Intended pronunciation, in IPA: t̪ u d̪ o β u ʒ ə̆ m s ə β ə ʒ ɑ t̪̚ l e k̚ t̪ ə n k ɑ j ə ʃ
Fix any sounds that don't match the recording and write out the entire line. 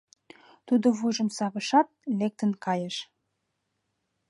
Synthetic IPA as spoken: t̪ u d̪ o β u ʒ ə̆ m s ɑ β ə ʃ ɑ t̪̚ l e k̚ t̪ ə n k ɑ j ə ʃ